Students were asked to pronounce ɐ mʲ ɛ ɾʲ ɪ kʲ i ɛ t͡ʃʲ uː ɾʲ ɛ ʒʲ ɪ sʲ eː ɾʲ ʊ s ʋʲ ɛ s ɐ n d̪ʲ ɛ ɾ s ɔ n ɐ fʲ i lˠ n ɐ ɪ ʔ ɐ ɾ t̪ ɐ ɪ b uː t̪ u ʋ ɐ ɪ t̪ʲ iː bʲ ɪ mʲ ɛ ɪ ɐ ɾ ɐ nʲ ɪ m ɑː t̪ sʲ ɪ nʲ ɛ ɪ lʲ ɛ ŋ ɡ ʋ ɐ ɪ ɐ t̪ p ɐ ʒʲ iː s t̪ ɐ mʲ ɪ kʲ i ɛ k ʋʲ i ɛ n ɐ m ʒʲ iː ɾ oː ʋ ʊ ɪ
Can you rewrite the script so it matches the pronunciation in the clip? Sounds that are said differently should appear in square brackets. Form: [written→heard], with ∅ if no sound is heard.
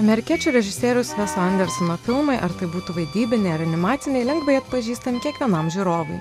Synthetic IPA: ɐ mʲ ɛ ɾʲ ɪ kʲ i ɛ t͡ʃʲ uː ɾʲ ɛ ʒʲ ɪ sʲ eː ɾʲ ʊ s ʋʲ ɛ s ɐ n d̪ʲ ɛ ɾ s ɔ n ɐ fʲ [i→ɪ] lˠ [n→m] ɐ ɪ ʔ ɐ ɾ t̪ ɐ ɪ b uː t̪ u ʋ ɐ ɪ [t̪ʲ→d̪ʲ] iː bʲ ɪ [mʲ→nʲ] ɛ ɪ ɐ ɾ ɐ nʲ ɪ m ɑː t̪ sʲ ɪ nʲ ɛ ɪ lʲ ɛ ŋ ɡ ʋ ɐ ɪ ɐ t̪ p ɐ ʒʲ iː s t̪ ɐ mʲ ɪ kʲ i ɛ k ʋʲ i ɛ n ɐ m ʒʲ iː ɾ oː ʋ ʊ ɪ